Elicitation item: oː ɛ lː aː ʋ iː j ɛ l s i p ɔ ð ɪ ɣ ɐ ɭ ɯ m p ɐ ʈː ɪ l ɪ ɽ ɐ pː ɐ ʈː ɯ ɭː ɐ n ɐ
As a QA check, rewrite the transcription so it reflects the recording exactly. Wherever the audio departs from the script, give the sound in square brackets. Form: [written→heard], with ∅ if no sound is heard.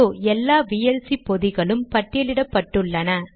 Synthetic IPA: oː ɛ lː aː ʋ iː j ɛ l s i p ɔ ð ɪ ɣ ɐ ɭ ɯ m p ɐ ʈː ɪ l ɪ ɽ ɐ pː ɐ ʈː ɯ ɭː ɐ n ɐ